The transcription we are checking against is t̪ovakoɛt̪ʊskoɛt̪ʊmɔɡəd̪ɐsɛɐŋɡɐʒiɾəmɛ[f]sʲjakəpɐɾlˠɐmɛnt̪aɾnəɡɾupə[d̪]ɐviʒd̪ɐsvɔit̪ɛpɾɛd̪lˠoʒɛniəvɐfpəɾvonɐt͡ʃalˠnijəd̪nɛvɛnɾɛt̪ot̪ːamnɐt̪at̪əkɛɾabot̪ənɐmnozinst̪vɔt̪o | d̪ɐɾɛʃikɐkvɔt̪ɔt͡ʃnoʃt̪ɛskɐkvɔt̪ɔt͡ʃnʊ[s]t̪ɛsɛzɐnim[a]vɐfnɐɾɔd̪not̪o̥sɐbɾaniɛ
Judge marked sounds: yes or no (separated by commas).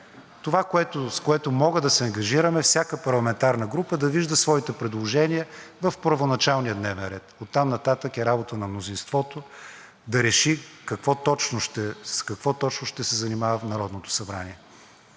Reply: yes, yes, no, yes